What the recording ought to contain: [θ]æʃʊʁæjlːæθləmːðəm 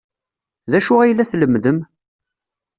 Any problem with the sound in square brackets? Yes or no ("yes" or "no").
yes